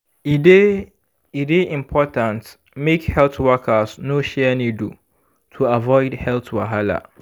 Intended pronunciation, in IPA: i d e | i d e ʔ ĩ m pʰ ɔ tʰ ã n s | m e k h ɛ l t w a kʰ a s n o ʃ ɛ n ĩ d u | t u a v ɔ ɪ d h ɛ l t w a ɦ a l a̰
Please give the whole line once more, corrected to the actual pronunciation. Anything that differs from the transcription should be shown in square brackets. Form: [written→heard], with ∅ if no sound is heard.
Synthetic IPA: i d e | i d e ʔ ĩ m pʰ ɔ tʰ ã n [s→t] | m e k h ɛ l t w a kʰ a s n o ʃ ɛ n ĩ d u | [t→tʰ] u a v ɔ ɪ d h ɛ l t w a ɦ a l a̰